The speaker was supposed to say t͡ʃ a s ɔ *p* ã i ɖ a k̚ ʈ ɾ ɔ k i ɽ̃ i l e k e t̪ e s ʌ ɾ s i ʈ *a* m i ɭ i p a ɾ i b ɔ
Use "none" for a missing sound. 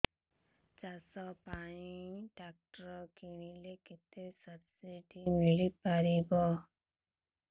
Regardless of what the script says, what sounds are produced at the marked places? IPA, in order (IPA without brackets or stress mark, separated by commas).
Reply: p, i